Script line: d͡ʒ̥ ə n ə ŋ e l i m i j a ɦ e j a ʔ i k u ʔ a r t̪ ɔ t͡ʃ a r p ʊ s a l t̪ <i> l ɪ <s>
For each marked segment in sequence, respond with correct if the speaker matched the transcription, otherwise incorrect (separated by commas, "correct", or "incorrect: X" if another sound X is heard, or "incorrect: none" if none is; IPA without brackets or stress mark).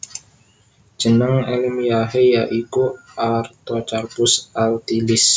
correct, correct